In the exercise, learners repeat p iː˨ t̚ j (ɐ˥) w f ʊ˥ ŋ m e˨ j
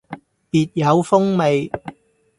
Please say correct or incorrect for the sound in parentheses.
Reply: incorrect